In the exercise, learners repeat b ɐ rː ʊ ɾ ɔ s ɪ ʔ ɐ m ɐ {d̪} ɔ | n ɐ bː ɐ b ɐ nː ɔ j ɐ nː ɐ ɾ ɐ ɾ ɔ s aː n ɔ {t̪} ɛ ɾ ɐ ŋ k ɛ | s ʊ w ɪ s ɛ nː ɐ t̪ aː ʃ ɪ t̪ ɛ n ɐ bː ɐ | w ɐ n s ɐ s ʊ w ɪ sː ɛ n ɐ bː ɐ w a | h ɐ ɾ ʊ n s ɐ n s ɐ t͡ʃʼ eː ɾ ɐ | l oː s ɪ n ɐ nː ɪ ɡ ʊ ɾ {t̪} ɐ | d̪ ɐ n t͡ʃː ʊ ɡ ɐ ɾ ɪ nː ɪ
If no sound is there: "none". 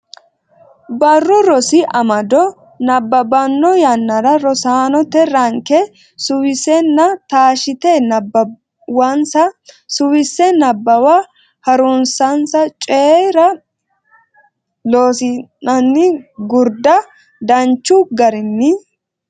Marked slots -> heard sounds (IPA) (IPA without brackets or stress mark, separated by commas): d̪, t̪, d̪